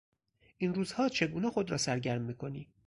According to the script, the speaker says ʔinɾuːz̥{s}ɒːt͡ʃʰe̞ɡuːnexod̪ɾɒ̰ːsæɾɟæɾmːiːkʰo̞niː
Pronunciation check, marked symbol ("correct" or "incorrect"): incorrect